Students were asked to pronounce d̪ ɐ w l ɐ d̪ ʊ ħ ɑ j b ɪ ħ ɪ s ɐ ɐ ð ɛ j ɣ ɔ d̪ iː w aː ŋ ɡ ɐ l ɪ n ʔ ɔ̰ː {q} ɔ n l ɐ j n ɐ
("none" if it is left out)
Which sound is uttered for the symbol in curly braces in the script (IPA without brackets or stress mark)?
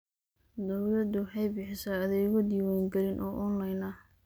ʔ